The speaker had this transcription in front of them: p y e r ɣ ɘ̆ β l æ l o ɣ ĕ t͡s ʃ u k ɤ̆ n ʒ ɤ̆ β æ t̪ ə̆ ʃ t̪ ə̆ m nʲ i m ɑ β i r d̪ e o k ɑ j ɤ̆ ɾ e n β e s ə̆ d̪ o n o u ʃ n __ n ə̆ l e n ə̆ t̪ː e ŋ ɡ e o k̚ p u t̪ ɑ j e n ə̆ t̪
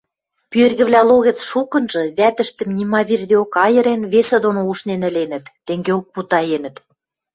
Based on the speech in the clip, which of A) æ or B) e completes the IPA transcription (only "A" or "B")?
B